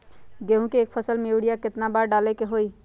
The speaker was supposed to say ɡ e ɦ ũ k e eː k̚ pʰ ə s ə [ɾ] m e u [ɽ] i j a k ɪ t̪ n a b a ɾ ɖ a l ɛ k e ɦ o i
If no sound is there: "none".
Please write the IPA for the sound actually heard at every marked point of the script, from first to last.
l, ɽ

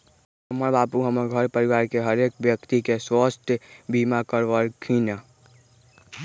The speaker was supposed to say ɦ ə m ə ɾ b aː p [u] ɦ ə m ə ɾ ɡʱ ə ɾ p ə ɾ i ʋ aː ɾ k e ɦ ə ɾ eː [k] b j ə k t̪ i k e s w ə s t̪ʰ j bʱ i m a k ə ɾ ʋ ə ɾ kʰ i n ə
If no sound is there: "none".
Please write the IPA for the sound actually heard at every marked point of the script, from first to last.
u, k

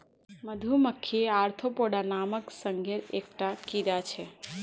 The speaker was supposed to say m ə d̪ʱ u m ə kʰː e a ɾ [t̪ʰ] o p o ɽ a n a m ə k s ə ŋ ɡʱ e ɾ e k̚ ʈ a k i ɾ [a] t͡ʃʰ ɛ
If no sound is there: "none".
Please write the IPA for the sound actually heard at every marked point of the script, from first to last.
t̪ʰ, a

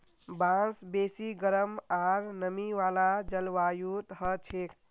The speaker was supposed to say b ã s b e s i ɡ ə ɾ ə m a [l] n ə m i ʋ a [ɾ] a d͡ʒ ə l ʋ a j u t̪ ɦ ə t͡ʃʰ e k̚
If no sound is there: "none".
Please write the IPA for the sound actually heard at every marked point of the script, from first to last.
ɾ, l

